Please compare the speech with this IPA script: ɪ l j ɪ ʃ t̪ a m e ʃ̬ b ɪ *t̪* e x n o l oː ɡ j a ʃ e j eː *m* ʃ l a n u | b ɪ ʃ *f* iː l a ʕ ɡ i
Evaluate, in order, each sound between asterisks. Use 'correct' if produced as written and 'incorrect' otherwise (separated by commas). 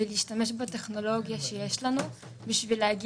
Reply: correct, incorrect, incorrect